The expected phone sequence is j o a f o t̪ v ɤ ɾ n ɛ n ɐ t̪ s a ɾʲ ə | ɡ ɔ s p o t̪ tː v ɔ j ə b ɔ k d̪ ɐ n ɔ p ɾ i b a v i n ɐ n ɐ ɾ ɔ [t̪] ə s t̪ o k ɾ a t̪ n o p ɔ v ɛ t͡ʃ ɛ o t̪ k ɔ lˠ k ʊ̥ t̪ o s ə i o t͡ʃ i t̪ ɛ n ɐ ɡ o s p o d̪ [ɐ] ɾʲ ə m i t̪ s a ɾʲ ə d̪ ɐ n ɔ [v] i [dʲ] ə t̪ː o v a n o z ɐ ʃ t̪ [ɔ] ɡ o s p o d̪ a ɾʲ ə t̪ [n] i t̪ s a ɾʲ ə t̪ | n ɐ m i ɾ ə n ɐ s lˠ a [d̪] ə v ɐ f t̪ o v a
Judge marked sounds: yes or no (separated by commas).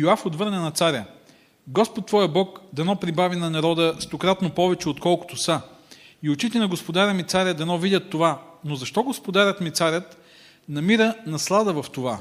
no, no, yes, yes, yes, no, yes